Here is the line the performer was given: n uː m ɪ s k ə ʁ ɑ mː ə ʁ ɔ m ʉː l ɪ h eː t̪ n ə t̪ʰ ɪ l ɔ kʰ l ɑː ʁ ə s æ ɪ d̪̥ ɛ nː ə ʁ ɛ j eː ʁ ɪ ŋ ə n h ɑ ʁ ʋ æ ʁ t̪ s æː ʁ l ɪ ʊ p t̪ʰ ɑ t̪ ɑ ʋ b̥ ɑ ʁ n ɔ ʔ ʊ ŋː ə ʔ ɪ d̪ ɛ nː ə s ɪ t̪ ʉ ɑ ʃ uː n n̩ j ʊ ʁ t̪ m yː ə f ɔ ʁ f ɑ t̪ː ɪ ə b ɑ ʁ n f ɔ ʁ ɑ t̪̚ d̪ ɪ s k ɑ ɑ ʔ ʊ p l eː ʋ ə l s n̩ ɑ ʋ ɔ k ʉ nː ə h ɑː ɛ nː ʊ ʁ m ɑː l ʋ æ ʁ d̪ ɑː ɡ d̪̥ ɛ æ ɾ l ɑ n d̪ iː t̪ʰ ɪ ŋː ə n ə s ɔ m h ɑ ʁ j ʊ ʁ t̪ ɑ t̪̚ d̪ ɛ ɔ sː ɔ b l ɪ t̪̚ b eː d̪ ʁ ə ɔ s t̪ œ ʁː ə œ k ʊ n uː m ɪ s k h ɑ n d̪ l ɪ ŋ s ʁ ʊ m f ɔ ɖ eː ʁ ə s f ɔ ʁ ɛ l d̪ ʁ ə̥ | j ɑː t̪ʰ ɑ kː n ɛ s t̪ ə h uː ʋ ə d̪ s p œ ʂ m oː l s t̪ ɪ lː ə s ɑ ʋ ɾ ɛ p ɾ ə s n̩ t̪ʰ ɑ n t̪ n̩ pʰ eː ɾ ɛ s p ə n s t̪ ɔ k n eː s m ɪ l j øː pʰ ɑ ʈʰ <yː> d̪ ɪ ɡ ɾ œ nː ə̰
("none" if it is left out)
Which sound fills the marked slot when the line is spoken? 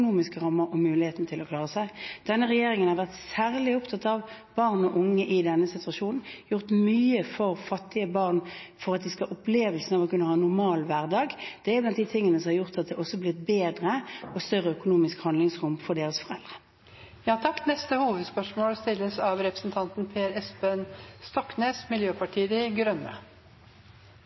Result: iː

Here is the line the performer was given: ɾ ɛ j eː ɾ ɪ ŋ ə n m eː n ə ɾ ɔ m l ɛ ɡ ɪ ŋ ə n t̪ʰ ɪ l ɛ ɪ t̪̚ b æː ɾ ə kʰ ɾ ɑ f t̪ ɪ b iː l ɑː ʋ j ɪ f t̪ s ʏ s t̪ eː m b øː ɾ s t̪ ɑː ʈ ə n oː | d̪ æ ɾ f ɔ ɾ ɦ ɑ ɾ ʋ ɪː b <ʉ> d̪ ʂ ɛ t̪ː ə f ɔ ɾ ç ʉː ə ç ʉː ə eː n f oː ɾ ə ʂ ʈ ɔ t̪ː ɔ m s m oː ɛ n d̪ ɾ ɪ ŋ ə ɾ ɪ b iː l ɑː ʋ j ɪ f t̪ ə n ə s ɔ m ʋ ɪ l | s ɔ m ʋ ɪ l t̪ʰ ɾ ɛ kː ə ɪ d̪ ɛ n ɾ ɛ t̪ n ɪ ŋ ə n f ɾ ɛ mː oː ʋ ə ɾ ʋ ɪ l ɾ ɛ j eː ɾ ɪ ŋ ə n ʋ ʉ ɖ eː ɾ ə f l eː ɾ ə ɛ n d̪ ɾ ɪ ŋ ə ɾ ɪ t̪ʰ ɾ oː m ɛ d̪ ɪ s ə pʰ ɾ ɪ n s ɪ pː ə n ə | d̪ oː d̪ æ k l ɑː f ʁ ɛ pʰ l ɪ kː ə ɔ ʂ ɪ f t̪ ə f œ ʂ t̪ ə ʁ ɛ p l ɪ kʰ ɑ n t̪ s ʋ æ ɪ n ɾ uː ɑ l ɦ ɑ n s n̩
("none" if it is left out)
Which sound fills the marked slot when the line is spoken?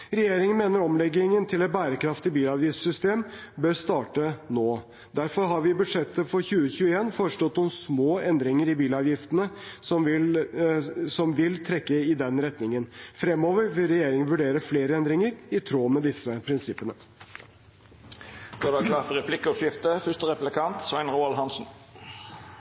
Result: ʉ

